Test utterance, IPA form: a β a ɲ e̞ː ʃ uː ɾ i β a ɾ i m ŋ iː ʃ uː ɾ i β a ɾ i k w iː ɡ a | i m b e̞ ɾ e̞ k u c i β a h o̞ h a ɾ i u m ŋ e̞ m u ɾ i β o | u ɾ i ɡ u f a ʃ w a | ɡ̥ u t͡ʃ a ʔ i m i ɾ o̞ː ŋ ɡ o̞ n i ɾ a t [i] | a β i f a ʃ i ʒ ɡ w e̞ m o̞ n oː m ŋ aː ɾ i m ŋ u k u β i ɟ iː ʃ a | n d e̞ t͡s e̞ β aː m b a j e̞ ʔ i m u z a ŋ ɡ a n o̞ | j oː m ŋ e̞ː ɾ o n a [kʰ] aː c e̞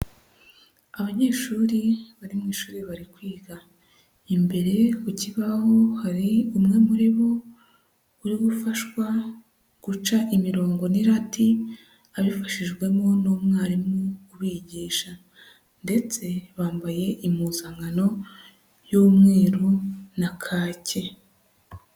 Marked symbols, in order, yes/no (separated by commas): yes, yes